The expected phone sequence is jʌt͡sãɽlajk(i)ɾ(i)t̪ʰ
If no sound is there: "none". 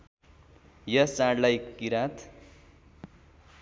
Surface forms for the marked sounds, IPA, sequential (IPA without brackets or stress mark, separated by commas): i, a